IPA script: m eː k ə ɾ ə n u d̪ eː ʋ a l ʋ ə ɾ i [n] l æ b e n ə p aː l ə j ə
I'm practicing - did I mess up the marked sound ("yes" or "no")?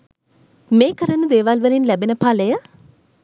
no